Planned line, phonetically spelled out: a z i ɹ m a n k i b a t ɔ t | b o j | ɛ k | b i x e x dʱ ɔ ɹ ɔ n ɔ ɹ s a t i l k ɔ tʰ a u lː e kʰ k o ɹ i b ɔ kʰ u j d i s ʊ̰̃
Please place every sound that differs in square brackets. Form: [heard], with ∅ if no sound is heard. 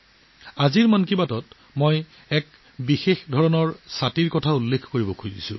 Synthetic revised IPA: a z i ɹ m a n k i b a t ɔ t | [m] o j | ɛ k | b i x e x dʱ ɔ ɹ ɔ n ɔ ɹ s a t i [ɹ] k ɔ tʰ a u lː e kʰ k o ɹ i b ɔ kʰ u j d i s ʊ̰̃